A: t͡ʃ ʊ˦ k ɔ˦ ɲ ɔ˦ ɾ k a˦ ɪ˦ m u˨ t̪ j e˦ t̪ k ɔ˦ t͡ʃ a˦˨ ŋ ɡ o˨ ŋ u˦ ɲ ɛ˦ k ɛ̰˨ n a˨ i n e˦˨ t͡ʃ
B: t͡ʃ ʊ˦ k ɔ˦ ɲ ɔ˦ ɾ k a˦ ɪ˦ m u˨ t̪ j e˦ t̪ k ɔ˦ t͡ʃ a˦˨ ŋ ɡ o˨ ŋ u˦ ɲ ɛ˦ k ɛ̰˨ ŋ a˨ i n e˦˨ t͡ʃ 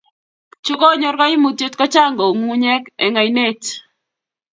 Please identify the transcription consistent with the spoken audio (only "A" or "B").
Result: B